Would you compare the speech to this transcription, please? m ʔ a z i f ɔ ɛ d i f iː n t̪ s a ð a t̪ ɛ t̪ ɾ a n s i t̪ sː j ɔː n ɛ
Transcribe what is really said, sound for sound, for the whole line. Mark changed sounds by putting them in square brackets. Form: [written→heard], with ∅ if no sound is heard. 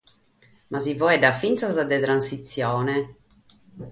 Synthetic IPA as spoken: m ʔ a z i [f→v] ɔ ɛ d [i→a] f [iː→i] n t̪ s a [ð→z] a [t̪→d̪] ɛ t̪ ɾ a n s i t̪ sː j ɔː n ɛ